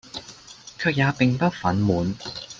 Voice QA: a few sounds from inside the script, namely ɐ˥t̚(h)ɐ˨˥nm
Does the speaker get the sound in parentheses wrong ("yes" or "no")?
yes